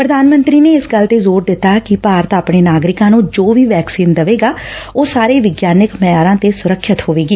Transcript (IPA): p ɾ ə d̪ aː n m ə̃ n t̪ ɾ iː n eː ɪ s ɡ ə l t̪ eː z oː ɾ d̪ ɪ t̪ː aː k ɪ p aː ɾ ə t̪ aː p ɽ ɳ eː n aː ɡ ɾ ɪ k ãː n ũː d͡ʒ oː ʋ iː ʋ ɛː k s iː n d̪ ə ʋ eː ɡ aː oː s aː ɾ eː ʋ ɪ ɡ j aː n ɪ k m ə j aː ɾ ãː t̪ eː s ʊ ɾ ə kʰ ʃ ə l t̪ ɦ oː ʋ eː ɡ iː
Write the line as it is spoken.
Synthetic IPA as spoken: p ɾ ə d̪ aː n m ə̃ n t̪ ɾ iː n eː ɪ s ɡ ə l t̪ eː z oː ɾ d̪ ɪ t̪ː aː k ɪ p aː ɾ ə t̪ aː p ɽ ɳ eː n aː ɡ ɾ ɪ k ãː n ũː d͡ʒ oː ʋ iː ʋ ɛː k s iː n d̪ ə ʋ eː ɡ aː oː s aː ɾ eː ʋ ɪ ɡ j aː n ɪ k m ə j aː ɾ ãː t̪ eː s ʊ ɾ ə kʰ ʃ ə t̪ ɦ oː ʋ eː ɡ iː